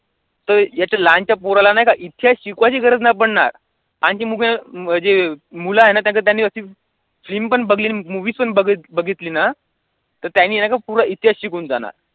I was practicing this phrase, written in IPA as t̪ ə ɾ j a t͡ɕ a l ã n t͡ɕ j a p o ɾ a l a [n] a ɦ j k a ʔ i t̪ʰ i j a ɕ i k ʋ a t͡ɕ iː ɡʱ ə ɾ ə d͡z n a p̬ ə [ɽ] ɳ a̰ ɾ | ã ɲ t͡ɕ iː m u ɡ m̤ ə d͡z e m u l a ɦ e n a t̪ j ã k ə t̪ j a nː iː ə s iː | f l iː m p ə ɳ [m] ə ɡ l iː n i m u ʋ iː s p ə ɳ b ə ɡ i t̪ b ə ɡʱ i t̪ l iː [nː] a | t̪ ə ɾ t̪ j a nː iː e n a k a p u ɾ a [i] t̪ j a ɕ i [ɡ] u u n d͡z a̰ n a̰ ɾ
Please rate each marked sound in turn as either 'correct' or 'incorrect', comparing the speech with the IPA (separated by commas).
correct, correct, incorrect, incorrect, correct, incorrect